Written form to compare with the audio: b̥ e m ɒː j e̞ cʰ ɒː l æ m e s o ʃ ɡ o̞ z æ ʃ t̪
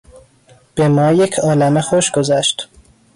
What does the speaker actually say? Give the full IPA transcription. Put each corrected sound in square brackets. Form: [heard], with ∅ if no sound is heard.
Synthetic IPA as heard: b̥ e m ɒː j e̞ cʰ ɒː l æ m e [x] o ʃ ɡ o̞ z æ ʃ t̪